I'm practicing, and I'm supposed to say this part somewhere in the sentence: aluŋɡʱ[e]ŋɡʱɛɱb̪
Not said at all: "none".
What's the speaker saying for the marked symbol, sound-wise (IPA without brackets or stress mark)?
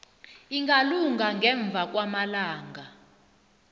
a